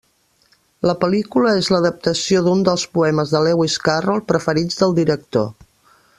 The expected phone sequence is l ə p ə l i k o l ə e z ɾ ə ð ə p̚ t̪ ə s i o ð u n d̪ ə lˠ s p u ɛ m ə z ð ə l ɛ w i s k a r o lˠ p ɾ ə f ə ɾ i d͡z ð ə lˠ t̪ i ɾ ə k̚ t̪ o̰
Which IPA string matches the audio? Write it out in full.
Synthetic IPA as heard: l ə p ə l i k u l ə e z l ə ð ə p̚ t̪ ə s i o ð u n d̪ ə lˠ s p u ɛ m ə z ð ə l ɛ w i s k a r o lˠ p ɾ ə f ə ɾ i d͡z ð ə lˠ d̪ i ɾ ə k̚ t̪ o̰

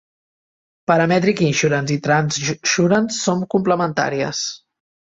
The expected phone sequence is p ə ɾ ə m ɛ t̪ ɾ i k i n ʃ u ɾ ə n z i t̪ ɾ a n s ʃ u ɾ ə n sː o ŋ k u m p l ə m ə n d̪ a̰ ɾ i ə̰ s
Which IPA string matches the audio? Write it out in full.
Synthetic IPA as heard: p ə ɾ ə m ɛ t̪ ɾ i k i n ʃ u ɾ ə n z i t̪ ɾ a n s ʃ u ɾ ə n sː o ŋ k u m p l ə m ə n t̪ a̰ ɾ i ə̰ s

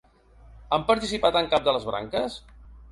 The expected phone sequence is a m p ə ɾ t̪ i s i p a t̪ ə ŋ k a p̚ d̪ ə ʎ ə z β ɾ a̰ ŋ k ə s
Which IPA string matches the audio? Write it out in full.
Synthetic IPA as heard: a m p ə ɾ t̪ i s i p a t̪ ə ŋ k a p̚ d̪ ə l ə z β ɾ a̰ ŋ k ə s

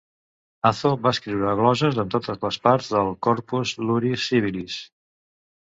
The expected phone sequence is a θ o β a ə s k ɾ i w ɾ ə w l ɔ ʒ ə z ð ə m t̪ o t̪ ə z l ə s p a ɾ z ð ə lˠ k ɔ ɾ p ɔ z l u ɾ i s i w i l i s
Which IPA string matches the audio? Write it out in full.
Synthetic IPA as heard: a θ o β a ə s k ɾ i w ɾ ə ɣ l ɔ ʒ ə z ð ə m t̪ o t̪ ə z l ə s p a ɾ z ð ə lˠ k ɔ ɾ p u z l u ɾ i s i β i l i s

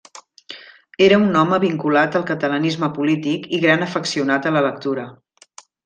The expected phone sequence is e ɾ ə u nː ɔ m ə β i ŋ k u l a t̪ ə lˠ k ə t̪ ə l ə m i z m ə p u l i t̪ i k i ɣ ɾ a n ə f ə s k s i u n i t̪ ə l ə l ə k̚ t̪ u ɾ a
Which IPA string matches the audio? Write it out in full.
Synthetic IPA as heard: e ɾ ə u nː ɔ m ə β i ŋ k u l a t̪ ə lˠ k ə t̪ ə l ə n i z m ə p u l i t̪ i k i ɣ ɾ a n ə f ə k s i u n a t̪ ə l ə l ə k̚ t̪ u ɾ ə

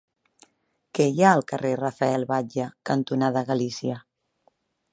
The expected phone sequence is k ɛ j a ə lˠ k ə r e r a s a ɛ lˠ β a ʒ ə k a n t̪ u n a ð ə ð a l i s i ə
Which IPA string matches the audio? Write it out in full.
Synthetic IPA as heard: k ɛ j a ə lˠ k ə r e r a f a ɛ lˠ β a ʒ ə k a n t̪ u n a ð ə ɣ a l i s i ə

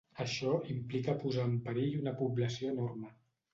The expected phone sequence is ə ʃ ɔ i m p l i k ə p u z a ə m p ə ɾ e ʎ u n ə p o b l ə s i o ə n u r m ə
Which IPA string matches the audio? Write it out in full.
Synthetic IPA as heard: ə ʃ ɔ i m p l i k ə p u z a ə m p ə ɾ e ʎ u n ə p u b l ə s i o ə n o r m ə

